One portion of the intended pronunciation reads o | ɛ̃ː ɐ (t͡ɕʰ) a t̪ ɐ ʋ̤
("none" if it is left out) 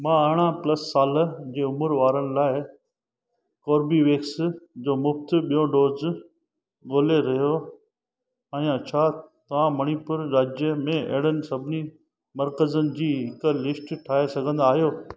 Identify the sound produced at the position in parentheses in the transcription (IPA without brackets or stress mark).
t͡ɕʰ